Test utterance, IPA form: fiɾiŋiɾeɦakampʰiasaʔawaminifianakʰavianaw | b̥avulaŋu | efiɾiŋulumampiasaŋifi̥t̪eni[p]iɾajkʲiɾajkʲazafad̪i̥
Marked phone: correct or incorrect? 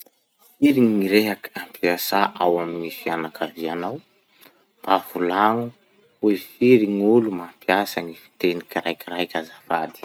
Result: incorrect